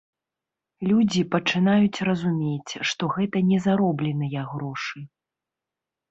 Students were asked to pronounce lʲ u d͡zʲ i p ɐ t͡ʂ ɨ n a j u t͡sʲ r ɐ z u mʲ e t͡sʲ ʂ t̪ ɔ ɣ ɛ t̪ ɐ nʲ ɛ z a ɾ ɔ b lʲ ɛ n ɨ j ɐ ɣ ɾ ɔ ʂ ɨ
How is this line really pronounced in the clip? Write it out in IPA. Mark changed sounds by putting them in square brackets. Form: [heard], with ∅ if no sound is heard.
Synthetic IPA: lʲ u d͡zʲ i p ɐ t͡ʂ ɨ n a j u t͡sʲ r ɐ z u mʲ e t͡sʲ ʂ t̪ ɔ ɣ ɛ t̪ ɐ nʲ ɛ z a ɾ ɔ b lʲ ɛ n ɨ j ɐ ɣ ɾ ɔ ʂ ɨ